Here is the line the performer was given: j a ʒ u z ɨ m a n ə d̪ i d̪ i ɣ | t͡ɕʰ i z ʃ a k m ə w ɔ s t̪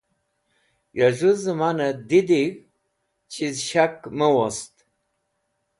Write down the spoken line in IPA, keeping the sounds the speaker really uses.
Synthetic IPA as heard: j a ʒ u z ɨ m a n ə d̪ i d̪ i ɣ | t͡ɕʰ i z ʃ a k m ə w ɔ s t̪

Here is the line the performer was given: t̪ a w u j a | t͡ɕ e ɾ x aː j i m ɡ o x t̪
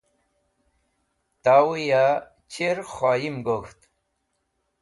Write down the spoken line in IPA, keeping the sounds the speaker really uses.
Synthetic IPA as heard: t̪ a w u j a | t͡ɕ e ɾ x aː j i m ɡ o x t̪

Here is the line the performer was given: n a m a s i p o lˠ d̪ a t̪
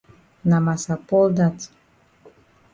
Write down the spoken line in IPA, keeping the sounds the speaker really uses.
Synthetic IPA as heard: n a m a s a p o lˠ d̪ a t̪

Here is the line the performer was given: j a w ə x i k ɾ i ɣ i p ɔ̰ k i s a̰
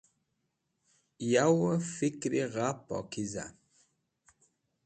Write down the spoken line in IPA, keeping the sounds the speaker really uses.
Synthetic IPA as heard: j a w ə f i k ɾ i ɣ a p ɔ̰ k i z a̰

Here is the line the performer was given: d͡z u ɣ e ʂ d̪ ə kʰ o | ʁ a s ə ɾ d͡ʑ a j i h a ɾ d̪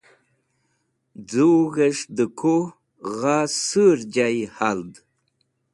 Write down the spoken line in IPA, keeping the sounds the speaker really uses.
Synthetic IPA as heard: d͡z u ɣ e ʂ d̪ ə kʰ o | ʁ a s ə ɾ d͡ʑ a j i h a l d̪

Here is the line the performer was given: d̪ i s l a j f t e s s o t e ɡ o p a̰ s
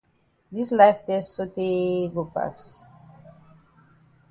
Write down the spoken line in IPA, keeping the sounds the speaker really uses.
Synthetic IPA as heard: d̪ i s l a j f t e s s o t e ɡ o p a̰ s

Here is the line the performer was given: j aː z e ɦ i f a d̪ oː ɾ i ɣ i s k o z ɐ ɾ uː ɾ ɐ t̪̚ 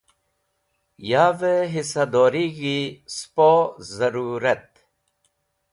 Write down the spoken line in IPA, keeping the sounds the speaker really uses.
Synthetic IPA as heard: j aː v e ɦ i s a d̪ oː ɾ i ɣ i s p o z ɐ ɾ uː ɾ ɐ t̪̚

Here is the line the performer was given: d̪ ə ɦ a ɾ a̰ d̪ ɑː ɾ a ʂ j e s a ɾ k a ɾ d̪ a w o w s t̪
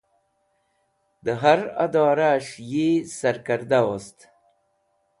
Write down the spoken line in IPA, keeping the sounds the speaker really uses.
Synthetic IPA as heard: d̪ ə ɦ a ɾ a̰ d̪ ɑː ɾ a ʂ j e s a ɾ k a ɾ d̪ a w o s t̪

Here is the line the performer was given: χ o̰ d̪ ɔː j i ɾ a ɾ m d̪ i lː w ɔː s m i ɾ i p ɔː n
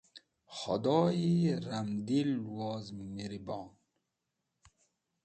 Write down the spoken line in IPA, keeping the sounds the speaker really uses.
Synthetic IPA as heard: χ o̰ d̪ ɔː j i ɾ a m d̪ i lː w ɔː z m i ɾ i b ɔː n

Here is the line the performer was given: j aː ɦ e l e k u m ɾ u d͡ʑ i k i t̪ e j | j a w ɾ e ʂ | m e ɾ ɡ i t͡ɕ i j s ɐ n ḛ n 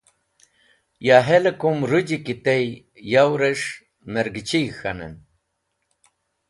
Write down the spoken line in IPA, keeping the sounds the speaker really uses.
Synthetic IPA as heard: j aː ɦ e l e k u m ɾ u d͡ʑ i k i t̪ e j | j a w ɾ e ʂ | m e ɾ ɡ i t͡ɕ i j x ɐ n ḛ n

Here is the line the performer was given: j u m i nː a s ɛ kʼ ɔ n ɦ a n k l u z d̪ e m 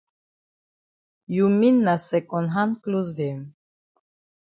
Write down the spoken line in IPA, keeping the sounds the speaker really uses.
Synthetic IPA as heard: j u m i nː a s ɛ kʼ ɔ n ɦ a n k l u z d̪ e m

